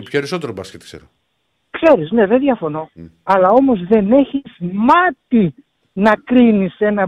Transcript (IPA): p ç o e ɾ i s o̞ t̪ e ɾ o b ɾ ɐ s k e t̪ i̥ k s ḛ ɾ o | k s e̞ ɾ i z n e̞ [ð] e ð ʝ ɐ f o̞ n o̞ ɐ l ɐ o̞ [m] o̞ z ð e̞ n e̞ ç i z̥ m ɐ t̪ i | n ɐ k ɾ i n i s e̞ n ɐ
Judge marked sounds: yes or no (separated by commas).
yes, yes